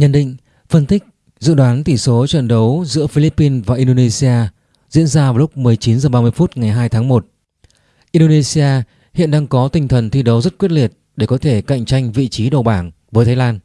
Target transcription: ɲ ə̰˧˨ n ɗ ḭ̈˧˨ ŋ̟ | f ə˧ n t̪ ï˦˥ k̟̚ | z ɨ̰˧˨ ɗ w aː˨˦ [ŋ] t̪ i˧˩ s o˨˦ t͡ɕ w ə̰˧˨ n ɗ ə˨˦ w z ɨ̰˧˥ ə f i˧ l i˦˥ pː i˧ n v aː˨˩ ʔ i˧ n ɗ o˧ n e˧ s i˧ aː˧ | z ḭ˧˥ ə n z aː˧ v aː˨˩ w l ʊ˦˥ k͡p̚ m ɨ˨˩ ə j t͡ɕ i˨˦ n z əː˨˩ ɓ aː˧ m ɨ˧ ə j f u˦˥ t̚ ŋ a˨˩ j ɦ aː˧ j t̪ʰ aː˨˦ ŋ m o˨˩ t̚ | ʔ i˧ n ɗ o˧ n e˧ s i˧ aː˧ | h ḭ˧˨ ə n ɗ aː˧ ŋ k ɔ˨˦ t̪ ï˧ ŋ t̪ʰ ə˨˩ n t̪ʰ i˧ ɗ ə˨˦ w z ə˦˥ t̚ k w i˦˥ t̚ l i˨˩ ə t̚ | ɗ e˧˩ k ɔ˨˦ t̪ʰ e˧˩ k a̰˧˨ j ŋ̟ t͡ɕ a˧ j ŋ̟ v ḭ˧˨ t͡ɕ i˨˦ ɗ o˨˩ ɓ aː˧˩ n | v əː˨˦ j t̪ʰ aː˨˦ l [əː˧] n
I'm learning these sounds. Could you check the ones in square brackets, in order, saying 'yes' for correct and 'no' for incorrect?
no, no

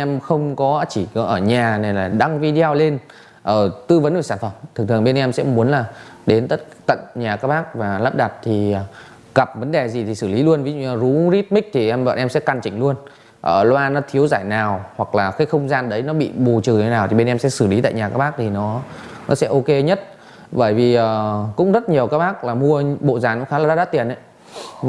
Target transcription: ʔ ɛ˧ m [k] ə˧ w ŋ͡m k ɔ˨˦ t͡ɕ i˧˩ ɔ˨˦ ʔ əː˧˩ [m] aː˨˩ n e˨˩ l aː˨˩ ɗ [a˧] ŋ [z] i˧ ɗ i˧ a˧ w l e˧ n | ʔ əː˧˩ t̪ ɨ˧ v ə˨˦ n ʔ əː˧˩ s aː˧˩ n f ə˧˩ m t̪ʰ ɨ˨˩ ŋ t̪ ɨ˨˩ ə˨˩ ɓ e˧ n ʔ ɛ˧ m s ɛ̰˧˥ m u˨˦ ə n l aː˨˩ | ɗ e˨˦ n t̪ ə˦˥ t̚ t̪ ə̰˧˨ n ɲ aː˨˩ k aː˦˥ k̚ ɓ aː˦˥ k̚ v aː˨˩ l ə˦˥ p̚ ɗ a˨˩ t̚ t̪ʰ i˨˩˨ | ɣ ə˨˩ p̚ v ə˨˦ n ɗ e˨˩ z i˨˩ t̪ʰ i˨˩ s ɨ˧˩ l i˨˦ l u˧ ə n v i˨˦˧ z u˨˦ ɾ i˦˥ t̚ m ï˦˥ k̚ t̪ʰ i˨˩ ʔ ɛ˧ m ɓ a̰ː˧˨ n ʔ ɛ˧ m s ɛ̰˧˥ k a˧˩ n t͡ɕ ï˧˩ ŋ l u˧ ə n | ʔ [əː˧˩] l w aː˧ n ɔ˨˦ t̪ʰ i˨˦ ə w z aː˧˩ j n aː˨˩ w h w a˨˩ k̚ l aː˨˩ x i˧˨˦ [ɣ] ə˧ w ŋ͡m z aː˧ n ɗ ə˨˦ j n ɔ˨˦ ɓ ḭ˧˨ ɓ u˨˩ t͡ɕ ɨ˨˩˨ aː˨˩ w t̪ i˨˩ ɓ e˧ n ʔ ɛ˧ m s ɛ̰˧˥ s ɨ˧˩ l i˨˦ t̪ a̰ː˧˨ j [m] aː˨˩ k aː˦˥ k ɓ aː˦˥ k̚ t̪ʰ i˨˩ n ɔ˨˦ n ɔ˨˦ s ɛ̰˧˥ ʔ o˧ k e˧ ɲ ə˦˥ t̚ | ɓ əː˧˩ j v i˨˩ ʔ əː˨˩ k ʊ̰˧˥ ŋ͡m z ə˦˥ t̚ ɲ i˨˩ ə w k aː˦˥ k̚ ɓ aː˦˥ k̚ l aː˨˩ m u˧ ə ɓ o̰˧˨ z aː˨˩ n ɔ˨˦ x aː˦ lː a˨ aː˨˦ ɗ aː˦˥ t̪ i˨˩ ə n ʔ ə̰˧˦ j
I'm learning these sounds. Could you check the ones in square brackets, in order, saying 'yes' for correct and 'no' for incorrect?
no, no, yes, no, yes, no, no

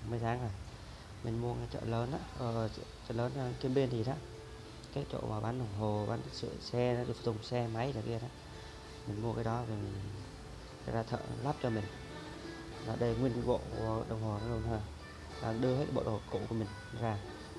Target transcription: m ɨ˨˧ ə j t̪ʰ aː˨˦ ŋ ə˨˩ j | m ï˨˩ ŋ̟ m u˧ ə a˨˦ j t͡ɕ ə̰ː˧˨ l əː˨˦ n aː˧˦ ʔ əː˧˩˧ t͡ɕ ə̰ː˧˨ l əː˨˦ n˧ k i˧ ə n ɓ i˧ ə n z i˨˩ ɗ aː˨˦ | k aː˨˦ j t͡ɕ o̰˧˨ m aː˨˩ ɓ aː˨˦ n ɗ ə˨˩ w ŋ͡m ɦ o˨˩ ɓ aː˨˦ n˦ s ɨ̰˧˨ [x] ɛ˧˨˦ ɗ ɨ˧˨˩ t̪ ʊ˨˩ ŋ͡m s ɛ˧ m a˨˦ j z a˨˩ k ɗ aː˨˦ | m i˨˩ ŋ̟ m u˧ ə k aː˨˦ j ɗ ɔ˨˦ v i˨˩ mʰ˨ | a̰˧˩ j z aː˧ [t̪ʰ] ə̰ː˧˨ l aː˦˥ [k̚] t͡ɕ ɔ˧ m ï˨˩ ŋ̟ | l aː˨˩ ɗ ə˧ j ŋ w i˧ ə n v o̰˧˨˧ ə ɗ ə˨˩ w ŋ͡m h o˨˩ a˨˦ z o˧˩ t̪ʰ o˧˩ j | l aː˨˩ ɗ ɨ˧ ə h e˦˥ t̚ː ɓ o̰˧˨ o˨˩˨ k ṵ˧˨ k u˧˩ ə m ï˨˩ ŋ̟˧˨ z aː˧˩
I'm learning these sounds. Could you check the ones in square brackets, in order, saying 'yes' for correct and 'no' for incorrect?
no, yes, no

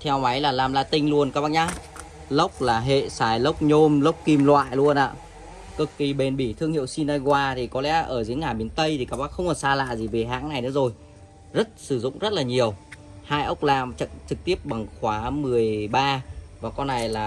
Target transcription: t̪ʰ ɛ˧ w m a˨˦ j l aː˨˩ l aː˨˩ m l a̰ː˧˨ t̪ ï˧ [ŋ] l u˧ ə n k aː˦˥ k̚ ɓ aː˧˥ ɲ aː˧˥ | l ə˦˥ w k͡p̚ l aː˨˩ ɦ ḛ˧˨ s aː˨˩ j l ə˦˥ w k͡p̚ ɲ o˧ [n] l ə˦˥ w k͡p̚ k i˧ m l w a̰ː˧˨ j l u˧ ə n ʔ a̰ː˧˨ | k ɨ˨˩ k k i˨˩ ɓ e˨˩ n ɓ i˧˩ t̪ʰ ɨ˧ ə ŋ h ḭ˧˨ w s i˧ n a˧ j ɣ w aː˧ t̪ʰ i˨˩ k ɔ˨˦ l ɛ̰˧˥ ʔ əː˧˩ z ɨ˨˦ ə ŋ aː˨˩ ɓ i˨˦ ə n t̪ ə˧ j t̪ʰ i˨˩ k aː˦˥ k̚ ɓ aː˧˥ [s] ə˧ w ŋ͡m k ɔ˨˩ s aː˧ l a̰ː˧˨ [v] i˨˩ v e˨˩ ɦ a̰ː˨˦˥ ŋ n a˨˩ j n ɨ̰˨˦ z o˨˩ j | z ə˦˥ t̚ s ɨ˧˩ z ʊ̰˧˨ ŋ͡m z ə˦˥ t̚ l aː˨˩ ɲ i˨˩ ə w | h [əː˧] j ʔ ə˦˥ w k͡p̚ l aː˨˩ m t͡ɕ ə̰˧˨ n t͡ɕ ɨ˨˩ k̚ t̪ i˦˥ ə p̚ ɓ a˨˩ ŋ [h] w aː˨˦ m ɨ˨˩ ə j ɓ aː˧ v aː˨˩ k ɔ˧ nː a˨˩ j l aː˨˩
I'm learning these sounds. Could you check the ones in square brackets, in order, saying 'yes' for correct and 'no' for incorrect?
yes, no, no, no, no, no

